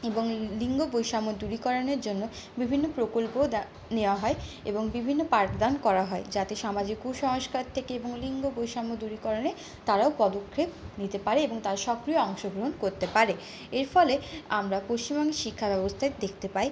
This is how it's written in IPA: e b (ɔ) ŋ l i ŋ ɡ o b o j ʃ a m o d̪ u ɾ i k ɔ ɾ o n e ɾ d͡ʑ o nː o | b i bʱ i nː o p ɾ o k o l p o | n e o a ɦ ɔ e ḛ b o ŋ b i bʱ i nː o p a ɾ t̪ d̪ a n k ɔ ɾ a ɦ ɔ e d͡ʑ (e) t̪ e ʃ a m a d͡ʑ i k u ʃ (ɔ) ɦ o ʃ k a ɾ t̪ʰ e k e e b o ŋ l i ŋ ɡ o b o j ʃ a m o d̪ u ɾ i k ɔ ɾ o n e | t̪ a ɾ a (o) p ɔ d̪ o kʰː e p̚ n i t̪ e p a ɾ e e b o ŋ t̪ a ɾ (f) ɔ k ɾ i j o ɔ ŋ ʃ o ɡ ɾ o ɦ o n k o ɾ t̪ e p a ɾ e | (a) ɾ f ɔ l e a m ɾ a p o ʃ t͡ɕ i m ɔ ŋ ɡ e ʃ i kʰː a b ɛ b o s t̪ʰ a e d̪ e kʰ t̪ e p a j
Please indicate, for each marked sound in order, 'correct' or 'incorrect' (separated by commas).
incorrect, incorrect, correct, correct, incorrect, incorrect